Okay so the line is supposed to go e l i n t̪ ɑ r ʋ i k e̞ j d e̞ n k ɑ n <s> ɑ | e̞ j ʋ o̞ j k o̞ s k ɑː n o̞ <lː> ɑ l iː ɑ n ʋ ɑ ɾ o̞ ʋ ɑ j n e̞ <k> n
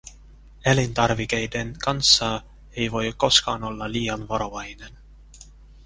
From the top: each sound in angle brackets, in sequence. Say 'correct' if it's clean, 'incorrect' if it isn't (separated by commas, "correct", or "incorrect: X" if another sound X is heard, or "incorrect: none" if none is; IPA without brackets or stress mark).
incorrect: sː, correct, incorrect: none